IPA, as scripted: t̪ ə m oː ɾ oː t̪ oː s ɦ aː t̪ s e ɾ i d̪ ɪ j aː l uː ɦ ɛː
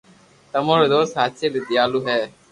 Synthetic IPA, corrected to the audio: t̪ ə m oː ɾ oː d̪ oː s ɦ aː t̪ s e l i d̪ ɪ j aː l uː ɦ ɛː